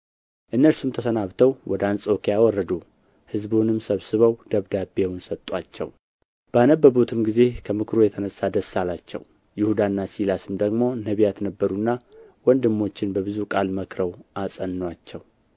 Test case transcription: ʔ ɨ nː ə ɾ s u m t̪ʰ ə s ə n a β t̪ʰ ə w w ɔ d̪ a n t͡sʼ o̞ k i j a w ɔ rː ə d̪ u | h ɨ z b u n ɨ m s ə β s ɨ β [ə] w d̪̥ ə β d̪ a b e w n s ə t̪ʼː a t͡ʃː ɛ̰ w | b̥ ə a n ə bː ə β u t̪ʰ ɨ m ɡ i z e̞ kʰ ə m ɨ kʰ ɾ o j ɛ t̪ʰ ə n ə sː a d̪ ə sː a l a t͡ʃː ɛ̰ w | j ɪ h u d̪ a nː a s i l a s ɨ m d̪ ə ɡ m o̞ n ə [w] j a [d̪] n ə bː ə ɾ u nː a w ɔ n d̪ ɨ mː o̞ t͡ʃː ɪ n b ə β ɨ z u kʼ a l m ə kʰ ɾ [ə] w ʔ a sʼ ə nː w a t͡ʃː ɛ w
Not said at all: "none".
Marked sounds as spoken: ə, β, t̪, ə

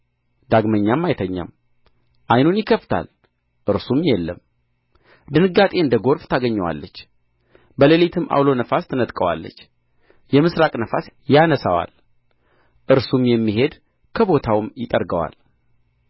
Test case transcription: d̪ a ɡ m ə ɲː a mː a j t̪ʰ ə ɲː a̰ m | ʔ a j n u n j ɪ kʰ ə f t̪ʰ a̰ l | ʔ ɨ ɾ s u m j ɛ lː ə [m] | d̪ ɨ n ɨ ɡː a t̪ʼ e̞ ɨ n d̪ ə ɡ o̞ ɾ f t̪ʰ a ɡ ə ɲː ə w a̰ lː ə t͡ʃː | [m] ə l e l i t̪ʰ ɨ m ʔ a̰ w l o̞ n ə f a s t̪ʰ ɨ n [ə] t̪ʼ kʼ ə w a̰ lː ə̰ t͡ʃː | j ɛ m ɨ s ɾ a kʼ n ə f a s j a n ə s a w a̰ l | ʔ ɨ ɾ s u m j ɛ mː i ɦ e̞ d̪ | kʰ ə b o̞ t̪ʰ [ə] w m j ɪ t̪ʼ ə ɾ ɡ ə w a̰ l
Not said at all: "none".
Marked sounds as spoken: m, b, ə, a

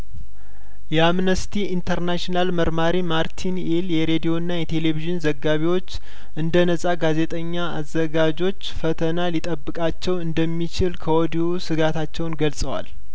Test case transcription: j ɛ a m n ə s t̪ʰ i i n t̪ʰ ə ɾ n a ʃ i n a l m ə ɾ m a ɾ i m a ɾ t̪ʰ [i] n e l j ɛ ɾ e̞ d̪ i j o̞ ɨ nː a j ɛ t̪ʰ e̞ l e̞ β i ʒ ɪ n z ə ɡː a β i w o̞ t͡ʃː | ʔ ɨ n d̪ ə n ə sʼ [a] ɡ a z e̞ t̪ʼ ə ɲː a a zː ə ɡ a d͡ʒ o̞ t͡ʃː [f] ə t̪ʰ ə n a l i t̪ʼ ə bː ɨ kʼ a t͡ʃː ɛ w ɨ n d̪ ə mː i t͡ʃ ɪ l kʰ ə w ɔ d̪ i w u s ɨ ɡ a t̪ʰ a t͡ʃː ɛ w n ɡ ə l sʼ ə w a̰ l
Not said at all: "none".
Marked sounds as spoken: i, a, f

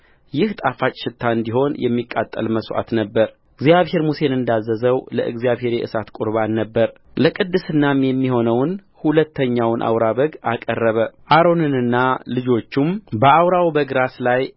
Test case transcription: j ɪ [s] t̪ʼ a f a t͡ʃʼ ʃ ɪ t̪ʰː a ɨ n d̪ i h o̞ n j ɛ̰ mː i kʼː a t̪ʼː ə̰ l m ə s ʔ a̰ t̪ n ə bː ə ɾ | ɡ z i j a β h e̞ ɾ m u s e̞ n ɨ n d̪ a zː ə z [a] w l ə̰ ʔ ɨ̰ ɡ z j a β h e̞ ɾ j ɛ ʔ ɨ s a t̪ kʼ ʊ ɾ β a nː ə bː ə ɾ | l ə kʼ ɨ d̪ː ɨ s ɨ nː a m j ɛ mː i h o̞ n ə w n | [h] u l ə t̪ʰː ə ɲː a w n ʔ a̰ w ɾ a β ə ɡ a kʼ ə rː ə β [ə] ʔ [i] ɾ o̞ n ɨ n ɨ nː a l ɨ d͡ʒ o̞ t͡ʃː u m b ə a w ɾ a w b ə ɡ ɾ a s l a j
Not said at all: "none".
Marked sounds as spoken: h, ə, h, ə, a

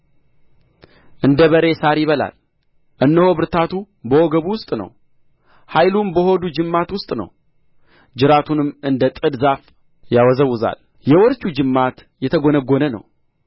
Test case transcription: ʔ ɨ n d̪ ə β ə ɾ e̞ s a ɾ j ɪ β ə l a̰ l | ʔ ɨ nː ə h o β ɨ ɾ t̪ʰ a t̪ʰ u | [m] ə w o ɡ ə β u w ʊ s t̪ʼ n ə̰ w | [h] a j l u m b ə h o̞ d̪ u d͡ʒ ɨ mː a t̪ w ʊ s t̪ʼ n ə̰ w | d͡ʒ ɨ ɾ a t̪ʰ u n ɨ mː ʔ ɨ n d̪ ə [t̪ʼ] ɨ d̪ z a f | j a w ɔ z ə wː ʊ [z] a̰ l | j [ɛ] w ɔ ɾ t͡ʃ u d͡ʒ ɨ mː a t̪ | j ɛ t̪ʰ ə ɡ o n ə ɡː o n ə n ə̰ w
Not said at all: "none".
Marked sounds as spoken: b, h, t̪ʼ, z, ɛ

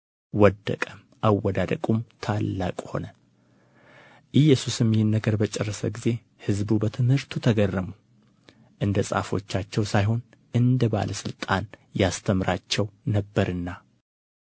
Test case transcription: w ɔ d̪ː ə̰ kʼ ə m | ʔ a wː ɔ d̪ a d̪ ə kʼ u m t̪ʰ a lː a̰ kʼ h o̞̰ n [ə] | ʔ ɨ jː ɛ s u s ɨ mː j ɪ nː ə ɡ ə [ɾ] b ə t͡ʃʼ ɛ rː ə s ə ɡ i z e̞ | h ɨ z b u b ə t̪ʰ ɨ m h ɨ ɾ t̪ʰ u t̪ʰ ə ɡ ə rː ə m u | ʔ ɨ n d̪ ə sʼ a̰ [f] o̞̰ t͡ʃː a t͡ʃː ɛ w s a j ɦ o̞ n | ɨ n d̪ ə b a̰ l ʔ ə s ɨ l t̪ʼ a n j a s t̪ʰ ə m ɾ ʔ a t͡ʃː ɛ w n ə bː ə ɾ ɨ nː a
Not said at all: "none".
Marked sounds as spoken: ə, ɾ, f

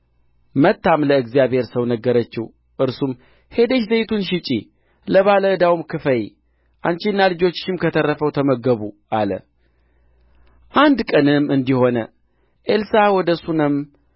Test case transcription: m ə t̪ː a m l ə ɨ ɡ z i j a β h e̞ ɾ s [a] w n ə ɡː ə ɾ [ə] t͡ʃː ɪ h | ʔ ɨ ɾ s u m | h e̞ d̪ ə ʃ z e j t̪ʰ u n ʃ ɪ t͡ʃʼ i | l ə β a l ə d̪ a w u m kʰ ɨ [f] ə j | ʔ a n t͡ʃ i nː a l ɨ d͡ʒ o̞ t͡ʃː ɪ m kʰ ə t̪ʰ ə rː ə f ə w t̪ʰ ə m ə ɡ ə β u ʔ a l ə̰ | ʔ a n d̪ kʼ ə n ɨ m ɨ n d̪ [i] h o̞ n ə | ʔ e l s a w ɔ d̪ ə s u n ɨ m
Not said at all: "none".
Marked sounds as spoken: ə, ə, f, i

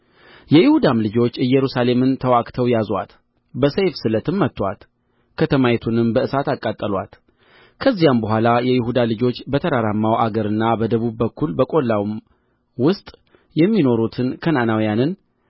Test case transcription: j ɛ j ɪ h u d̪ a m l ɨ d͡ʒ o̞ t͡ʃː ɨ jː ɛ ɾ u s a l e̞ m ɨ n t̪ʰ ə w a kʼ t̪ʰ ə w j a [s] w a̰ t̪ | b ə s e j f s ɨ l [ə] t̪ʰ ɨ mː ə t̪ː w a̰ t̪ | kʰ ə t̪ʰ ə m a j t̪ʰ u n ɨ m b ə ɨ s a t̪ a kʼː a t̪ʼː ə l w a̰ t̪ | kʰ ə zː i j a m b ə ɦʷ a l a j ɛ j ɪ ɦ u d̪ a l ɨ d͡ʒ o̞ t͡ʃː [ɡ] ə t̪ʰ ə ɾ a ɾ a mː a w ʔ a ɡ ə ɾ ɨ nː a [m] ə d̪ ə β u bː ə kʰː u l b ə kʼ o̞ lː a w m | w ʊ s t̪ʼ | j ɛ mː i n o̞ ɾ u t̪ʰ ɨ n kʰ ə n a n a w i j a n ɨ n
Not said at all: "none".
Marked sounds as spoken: z, ə, b, b

